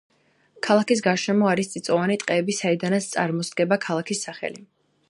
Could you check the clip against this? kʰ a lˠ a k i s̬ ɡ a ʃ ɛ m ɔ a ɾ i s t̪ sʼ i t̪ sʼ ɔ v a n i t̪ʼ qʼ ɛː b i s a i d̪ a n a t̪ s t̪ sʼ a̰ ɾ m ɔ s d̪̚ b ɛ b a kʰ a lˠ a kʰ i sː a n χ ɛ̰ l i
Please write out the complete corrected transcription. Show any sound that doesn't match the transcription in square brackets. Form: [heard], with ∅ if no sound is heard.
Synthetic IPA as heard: kʰ a lˠ a k i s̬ ɡ a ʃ ɛ m ɔ a ɾ i s t̪ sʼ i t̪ sʼ ɔ v a n i t̪ʼ qʼ ɛː b i s a i d̪ a n a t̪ s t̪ sʼ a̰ ɾ m ɔ s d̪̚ [ɡ] ɛ b a kʰ a lˠ a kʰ i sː a [∅] χ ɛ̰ l i

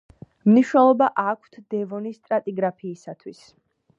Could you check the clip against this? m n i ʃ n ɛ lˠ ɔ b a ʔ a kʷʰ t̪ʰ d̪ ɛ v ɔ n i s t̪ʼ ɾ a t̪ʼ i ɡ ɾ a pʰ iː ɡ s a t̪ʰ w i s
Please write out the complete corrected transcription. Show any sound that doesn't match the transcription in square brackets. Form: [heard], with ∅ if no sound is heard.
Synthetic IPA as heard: m n i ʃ n ɛ lˠ ɔ b a ʔ a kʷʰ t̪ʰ d̪ ɛ v ɔ n i s t̪ʼ ɾ a t̪ʼ i ɡ ɾ a pʰ iː [∅] s a t̪ʰ w i s

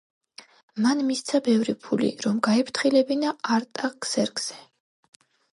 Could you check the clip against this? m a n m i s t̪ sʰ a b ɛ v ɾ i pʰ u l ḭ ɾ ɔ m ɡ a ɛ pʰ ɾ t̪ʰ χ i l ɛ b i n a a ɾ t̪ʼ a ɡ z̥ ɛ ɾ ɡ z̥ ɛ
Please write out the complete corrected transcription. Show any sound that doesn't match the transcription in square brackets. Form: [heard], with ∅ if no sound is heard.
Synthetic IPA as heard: m a n m i s t̪ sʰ a b ɛ v ɾ i pʰ u l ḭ ɾ ɔ m ɡ a ɛ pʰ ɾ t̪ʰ χ i l ɛ b i n a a ɾ t̪ʼ a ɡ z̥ ɛ ɾ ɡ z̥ ɛ

